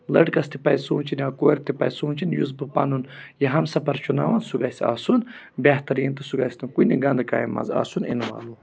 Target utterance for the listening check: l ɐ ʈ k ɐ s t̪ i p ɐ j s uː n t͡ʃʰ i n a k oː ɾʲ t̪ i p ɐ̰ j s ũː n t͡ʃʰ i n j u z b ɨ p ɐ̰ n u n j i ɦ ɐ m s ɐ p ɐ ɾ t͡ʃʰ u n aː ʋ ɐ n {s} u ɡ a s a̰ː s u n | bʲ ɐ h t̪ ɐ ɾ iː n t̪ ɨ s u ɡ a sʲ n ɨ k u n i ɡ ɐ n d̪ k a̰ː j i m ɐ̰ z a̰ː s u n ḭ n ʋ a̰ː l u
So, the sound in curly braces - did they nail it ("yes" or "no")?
yes